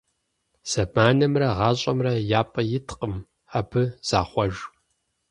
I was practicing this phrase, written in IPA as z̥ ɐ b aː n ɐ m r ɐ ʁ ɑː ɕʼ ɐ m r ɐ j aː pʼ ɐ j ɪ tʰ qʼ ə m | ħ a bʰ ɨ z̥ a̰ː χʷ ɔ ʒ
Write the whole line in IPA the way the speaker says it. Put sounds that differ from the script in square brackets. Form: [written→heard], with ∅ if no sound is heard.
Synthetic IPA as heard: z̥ ɐ b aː n ɐ m r ɐ ʁ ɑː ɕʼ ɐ m r ɐ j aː pʼ ɐ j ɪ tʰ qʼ ə m | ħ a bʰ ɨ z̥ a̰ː χʷ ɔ ʒ